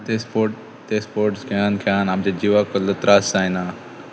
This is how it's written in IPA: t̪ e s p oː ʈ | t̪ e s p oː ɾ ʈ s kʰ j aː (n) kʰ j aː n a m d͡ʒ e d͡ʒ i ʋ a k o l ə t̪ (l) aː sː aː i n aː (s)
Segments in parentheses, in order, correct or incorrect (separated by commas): correct, incorrect, incorrect